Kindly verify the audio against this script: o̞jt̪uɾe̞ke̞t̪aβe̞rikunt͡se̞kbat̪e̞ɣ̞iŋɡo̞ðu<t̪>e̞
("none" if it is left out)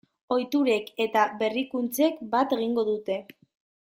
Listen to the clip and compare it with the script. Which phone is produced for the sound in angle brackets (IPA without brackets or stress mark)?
t̪